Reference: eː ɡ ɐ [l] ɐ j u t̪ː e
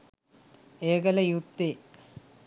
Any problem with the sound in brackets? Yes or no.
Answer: no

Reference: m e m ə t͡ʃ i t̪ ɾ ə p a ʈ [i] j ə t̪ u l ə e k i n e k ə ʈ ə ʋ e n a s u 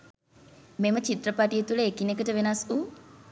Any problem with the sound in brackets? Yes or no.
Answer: no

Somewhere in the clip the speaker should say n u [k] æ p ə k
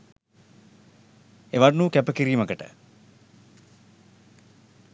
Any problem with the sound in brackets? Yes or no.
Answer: no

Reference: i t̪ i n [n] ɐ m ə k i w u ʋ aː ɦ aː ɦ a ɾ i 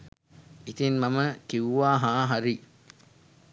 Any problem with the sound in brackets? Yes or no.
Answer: yes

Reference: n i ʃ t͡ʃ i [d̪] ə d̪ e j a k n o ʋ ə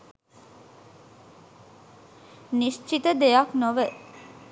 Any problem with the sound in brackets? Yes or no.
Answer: yes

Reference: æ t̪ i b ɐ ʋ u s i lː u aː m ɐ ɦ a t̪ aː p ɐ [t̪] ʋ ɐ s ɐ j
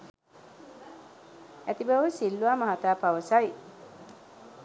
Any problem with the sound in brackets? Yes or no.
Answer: yes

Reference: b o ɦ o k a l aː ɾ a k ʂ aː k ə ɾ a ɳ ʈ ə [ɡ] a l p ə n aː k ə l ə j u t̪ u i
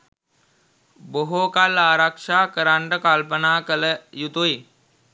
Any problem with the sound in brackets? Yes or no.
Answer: yes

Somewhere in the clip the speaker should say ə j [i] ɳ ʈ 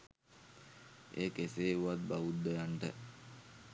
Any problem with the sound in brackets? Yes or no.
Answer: yes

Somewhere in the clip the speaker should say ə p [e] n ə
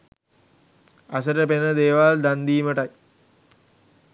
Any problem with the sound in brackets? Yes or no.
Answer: no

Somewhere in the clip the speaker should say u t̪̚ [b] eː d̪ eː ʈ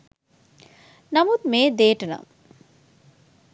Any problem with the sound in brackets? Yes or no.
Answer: yes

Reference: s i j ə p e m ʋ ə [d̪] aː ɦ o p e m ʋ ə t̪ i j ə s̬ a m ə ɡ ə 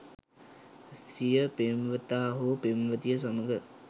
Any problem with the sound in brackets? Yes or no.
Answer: yes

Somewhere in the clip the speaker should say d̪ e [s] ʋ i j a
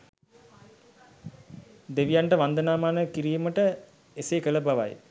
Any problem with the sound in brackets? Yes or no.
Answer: yes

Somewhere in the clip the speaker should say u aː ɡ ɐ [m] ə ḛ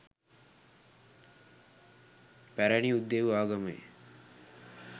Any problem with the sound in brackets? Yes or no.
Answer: no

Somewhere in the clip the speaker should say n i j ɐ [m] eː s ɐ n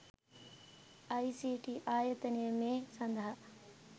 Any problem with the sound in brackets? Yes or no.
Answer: no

